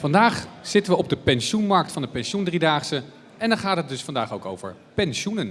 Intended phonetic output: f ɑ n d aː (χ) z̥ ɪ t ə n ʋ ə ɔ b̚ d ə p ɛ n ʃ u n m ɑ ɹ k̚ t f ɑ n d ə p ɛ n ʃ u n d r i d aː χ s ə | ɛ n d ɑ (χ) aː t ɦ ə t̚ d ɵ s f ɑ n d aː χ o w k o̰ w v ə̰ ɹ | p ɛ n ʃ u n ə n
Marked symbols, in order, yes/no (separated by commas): yes, yes